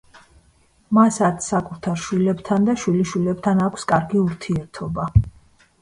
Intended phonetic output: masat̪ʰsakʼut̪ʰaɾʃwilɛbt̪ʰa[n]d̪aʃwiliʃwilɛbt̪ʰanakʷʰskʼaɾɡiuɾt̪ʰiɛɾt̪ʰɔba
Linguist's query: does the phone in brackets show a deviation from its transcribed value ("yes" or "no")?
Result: no